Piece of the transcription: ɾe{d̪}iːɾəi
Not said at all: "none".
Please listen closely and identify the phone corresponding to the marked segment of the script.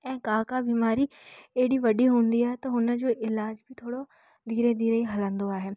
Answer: d̪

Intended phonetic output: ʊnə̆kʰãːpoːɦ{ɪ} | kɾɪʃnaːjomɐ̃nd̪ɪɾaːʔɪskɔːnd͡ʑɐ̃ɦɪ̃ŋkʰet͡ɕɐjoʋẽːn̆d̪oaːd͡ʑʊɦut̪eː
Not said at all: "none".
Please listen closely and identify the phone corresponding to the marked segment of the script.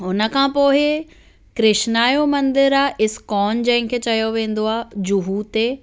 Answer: ɪ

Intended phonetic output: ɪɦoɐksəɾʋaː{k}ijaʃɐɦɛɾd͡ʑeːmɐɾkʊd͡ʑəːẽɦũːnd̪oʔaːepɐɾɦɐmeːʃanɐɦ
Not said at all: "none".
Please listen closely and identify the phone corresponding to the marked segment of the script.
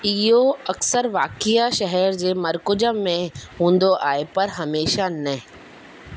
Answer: k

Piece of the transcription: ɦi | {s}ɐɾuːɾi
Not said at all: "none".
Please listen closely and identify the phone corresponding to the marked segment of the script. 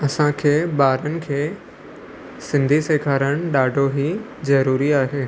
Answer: z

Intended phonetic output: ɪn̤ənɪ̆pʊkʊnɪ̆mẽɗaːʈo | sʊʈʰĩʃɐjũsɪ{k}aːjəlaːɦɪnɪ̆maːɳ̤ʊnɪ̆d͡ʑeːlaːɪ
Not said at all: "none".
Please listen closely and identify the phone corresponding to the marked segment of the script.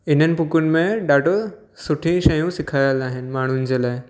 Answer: kʰ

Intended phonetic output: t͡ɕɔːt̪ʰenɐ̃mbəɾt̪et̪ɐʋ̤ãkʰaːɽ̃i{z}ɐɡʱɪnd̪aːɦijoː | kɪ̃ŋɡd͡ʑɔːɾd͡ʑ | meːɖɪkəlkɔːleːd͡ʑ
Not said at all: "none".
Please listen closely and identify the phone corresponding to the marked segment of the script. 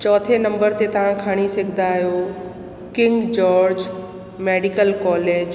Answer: s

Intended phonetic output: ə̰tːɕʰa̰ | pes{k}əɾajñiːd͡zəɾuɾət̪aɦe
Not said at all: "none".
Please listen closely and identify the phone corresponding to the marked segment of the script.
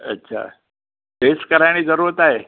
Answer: k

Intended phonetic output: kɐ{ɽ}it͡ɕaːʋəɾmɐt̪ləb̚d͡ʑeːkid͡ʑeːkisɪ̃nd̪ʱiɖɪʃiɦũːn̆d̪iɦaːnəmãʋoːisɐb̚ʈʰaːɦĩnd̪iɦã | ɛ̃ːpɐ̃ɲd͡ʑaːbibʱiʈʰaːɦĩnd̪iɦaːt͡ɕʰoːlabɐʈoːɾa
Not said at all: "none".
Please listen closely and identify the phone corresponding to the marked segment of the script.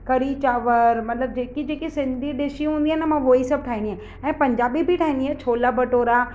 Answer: ɾ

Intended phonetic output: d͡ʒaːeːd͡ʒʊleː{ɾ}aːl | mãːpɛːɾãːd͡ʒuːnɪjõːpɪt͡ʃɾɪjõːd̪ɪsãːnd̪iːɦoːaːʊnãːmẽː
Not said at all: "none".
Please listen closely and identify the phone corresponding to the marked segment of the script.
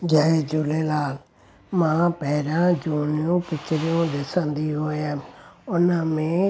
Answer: l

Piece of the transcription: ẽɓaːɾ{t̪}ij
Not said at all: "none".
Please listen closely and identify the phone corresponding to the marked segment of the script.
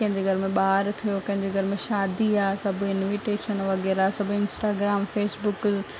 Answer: t̪ʰ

